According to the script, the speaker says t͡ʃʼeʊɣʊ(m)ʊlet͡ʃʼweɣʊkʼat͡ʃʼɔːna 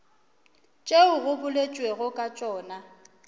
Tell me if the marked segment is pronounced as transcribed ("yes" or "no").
no